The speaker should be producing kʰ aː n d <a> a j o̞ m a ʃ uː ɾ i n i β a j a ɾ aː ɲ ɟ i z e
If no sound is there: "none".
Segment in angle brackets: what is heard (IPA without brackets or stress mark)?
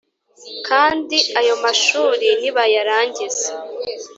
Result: i